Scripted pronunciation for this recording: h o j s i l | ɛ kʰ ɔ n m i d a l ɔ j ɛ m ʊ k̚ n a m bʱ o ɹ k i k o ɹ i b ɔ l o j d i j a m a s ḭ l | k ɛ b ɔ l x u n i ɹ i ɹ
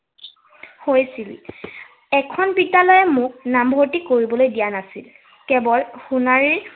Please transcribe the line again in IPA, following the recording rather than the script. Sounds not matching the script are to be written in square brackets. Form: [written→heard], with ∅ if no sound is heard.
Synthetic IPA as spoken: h o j s i l | ɛ kʰ ɔ n [m→b] i d a l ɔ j ɛ m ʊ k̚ n a m bʱ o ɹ [k→t] i k o ɹ i b ɔ l o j d i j a [m→n] a s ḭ l | k ɛ b ɔ l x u n [i→a] ɹ i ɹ